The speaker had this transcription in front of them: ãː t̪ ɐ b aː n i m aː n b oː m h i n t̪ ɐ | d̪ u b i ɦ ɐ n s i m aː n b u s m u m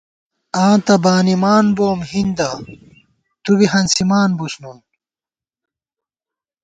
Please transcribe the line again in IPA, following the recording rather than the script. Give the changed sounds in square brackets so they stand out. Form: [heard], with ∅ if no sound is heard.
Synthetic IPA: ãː t̪ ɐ b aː n i m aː n b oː m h i n [d̪] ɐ | [t̪] u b i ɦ ɐ n s i m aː n b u s [n] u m